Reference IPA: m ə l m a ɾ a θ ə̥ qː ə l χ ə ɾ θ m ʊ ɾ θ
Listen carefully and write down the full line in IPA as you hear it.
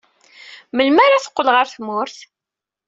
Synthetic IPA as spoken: m ə l m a ɾ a θ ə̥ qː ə l ʁ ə ɾ θ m ʊ ɾ θ